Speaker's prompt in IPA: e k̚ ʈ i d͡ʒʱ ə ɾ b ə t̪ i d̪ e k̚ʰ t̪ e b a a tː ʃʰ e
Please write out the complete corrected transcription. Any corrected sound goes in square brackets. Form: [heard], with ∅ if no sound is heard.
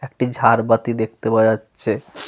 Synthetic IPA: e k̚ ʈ i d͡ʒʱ [a] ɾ b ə t̪ i d̪ e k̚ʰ t̪ e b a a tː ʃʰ e

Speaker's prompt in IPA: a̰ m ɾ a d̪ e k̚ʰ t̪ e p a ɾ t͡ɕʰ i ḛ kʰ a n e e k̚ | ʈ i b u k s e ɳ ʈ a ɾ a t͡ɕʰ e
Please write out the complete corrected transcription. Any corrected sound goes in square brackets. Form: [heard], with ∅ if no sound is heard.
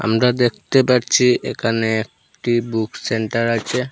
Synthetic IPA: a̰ m ɾ a d̪ e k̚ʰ t̪ e p a ɾ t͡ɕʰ i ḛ kʰ a n e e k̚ | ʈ i b u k s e ɳ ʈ a ɾ a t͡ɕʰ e

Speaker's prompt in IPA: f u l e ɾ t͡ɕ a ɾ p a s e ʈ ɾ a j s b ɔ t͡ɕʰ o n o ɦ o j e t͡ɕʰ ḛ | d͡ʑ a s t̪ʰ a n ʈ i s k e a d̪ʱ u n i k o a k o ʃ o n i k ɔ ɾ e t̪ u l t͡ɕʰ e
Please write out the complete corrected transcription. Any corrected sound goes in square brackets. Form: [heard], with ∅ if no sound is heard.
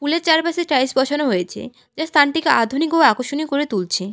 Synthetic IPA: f u l e ɾ t͡ɕ a ɾ p a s e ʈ ɾ a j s b ɔ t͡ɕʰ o n o ɦ o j e t͡ɕʰ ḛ | d͡ʑ a s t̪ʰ a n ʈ i [∅] k e a d̪ʱ u n i k o a k o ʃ o n i k [o] ɾ e t̪ u l t͡ɕʰ e

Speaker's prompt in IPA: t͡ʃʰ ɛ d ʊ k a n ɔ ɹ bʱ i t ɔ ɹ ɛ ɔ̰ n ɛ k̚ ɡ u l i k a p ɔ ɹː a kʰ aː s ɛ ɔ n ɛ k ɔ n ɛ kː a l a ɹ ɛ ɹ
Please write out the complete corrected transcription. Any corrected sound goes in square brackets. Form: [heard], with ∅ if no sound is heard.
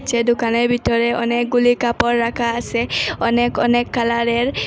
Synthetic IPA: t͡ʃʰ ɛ d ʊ k a n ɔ ɹ bʱ i t ɔ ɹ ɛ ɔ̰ n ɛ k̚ ɡ u l i k a p ɔ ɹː a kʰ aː s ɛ ɔ n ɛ k ɔ n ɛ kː a l a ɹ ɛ ɹ

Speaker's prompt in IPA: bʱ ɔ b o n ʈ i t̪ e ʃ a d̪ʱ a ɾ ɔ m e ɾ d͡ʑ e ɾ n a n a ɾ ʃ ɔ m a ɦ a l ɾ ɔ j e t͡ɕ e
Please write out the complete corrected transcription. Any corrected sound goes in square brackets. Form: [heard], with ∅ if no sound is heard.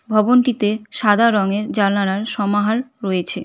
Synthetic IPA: bʱ ɔ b o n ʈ i t̪ e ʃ a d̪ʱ a ɾ ɔ [ŋ] e ɾ d͡ʑ [a] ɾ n a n a ɾ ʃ ɔ m a ɦ a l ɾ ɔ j e [t͡ɕʰ] e

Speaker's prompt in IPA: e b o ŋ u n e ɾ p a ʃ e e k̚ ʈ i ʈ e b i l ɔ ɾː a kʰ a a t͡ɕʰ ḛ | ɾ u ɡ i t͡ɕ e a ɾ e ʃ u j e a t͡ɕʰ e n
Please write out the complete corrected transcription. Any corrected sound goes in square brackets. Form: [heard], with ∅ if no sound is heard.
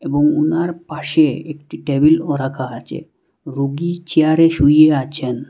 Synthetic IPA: e b o ŋ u n [a] ɾ p a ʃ e e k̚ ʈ i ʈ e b i l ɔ [ɾ] a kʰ a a t͡ɕʰ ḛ | ɾ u ɡ i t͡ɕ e a ɾ e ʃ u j e a t͡ɕʰ e n

